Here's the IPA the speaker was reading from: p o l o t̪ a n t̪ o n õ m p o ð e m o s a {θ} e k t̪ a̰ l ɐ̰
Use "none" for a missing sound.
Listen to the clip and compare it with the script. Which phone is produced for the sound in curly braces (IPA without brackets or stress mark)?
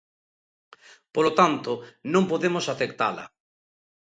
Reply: θ